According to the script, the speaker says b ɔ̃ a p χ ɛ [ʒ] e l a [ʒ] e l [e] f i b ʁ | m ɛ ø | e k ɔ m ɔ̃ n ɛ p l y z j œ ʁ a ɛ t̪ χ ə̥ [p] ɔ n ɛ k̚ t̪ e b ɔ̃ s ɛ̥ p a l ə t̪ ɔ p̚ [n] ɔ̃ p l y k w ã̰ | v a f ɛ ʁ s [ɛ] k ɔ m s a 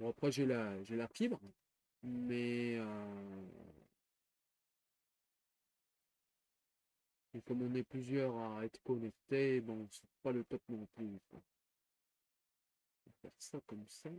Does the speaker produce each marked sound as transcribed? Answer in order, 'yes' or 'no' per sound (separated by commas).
yes, yes, no, no, yes, no